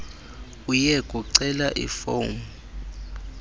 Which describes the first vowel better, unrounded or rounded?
rounded